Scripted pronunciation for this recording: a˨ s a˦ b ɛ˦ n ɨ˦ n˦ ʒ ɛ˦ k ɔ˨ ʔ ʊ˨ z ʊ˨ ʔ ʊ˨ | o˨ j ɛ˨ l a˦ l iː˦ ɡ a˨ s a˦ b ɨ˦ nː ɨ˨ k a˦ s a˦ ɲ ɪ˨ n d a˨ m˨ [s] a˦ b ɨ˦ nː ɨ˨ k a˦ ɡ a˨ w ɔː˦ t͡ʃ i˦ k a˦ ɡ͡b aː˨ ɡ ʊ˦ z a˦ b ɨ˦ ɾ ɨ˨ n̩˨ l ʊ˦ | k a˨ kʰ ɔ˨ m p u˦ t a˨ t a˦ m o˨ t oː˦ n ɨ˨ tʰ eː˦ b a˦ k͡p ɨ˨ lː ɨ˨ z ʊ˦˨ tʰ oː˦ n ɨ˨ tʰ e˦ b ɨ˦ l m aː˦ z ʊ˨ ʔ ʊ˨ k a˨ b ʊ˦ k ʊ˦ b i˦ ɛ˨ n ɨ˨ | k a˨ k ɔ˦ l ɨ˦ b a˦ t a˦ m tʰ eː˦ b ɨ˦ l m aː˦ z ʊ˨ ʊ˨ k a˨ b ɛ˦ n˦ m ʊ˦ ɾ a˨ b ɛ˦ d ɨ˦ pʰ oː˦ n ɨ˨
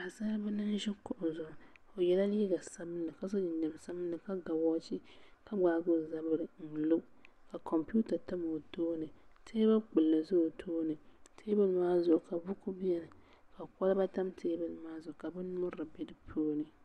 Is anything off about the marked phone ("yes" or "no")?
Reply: no